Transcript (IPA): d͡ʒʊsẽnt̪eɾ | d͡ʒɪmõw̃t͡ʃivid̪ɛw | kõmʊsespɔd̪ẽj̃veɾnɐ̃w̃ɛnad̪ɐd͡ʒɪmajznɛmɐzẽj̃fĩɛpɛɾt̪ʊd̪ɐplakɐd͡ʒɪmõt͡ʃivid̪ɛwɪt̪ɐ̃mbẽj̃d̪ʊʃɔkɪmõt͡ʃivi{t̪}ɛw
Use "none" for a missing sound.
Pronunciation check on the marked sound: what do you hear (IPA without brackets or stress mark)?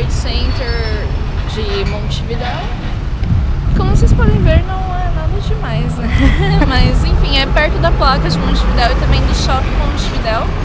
d̪